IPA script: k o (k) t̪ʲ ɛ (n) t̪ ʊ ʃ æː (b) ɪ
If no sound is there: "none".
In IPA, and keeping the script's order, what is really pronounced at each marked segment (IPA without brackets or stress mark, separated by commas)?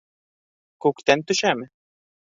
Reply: k, n, m